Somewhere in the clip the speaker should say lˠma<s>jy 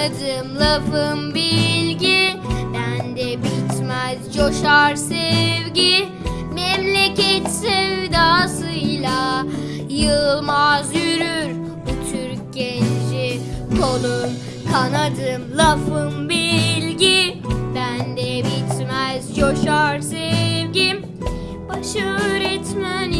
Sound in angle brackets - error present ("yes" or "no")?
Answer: yes